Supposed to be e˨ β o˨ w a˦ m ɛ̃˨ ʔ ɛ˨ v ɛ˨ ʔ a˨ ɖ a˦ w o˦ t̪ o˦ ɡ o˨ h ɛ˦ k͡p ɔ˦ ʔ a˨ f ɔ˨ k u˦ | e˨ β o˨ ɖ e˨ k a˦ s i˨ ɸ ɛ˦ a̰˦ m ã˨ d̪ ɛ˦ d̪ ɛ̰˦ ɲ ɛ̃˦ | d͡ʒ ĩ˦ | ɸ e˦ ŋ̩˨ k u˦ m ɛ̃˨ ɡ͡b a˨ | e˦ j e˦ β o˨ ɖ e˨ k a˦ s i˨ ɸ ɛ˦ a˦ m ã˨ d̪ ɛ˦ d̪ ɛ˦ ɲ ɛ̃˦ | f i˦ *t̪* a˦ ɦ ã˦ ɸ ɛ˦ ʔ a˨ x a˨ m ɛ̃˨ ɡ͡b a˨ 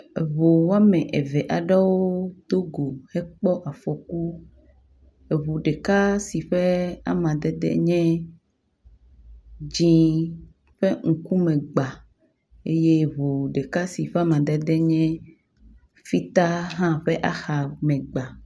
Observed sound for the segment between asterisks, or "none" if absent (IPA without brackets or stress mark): t̪